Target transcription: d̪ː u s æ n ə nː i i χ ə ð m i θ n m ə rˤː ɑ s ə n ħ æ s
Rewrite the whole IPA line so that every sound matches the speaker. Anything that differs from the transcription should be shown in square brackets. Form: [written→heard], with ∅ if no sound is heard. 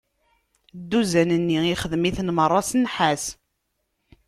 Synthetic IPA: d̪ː u [s→z] æ n ə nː i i χ ə ð m i θ n m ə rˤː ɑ s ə n ħ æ s